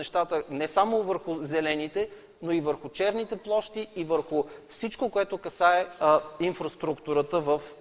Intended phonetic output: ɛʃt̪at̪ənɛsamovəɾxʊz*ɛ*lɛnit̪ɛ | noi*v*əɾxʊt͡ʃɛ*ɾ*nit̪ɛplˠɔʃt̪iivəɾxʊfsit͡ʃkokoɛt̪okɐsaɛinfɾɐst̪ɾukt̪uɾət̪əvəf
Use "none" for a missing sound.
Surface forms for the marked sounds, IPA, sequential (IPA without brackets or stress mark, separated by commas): ɛ, v, ɾ